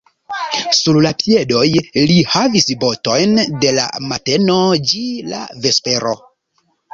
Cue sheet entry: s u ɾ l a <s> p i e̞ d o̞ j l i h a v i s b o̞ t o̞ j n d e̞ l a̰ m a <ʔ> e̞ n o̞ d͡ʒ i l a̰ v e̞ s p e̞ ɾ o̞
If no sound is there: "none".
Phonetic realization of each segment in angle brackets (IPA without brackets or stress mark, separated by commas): none, t